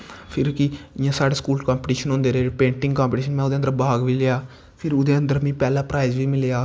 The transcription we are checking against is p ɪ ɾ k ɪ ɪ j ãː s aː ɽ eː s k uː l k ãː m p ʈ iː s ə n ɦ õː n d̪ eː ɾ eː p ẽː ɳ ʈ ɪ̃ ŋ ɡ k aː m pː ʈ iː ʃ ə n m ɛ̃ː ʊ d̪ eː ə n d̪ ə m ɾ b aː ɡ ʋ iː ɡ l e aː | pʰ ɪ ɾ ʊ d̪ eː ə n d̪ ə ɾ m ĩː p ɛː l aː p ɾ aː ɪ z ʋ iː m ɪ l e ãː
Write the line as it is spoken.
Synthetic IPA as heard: pʰ ɪ ɾ k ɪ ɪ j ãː s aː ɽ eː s k uː l k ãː m p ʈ iː ʃ ə n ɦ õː n d̪ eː ɾ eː p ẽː ɳ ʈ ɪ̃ ŋ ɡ k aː m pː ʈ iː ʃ ə n m ɛ̃ː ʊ d̪ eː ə n d̪ ə ɾ b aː ɡ ʋ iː l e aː | pʰ ɪ ɾ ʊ d̪ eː ə n d̪ ə ɾ m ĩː p ɛː l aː p ɾ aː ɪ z ʋ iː m ɪ l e aː